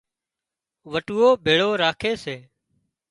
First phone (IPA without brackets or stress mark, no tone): ʋ